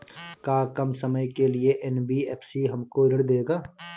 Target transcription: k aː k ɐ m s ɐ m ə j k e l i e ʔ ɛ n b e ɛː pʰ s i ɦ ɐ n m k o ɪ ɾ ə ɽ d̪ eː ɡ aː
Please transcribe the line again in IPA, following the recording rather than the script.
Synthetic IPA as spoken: k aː k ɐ m s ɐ m ə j k e l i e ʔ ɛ n b i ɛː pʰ s i ɦ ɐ m k o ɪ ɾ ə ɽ d̪ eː ɡ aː